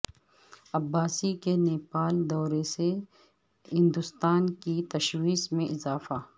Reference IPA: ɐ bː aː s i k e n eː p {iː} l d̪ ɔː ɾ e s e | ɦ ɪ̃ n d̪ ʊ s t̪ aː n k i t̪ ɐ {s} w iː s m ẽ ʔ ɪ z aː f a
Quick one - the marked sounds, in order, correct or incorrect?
incorrect: aː, incorrect: ʃ

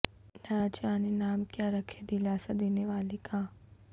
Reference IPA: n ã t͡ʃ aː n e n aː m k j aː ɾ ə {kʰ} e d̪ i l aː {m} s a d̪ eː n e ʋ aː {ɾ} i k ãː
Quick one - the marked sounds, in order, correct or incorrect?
correct, incorrect: none, incorrect: l

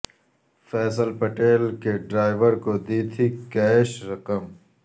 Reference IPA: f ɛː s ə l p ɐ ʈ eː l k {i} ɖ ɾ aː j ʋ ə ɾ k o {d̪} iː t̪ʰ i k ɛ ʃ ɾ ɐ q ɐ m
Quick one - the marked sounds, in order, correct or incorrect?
incorrect: e, correct

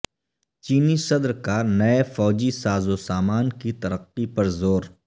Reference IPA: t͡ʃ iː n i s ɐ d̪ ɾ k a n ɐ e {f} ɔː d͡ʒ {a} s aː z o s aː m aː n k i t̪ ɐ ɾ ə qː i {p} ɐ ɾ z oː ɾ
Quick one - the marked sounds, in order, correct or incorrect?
correct, incorrect: i, correct

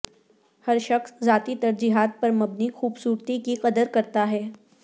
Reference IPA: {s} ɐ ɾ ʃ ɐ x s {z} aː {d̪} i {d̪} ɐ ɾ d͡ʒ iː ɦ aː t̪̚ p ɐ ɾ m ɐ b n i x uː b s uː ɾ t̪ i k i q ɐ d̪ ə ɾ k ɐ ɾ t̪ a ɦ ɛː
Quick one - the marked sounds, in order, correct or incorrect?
incorrect: h, correct, incorrect: t̪, incorrect: t̪

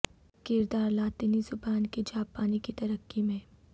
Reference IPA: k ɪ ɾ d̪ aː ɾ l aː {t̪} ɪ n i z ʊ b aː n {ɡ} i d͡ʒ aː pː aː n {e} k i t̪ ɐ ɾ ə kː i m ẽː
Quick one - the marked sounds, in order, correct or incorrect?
correct, incorrect: k, incorrect: i

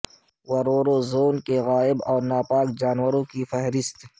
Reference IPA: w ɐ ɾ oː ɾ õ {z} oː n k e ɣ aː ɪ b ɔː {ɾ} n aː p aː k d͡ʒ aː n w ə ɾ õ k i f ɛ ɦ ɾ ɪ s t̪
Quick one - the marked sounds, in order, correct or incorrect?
correct, correct

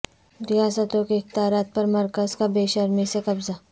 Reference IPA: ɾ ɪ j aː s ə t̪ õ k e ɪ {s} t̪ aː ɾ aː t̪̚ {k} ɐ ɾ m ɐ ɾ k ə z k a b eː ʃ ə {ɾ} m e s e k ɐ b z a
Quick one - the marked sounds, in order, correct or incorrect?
incorrect: x, incorrect: p, correct

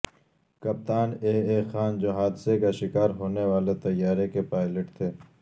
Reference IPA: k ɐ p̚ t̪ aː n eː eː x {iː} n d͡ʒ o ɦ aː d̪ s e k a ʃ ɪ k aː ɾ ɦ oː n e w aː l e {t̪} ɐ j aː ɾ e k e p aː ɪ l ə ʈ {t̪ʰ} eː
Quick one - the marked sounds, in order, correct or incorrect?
incorrect: aː, correct, correct

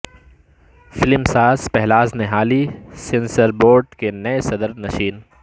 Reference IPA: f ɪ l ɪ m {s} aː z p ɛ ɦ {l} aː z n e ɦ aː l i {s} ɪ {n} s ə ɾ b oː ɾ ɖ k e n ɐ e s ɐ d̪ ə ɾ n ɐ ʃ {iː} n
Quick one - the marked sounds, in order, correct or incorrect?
correct, correct, correct, correct, correct

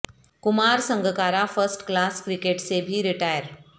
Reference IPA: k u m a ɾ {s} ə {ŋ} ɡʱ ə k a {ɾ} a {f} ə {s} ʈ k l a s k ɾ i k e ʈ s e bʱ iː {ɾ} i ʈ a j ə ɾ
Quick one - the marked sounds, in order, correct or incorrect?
correct, correct, correct, correct, correct, correct

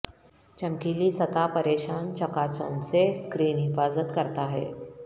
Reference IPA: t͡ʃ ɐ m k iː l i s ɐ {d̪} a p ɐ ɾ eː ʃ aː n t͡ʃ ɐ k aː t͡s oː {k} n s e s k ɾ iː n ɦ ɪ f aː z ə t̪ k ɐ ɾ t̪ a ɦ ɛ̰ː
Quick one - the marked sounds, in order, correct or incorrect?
incorrect: t̪, incorrect: none

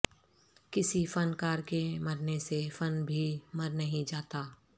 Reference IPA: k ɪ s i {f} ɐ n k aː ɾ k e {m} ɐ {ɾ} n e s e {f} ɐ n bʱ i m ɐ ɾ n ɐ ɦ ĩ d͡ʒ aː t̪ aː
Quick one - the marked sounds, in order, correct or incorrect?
correct, correct, correct, correct

